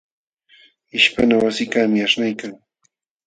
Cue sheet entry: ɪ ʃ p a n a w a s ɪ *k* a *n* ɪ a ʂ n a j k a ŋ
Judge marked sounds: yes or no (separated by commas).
yes, no